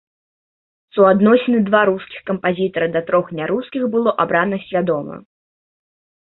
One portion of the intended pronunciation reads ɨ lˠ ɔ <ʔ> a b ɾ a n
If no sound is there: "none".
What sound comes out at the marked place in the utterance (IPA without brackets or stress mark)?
ʔ